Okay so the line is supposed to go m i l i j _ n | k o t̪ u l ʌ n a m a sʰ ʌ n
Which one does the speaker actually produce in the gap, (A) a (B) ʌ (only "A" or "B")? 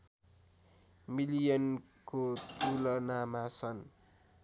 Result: B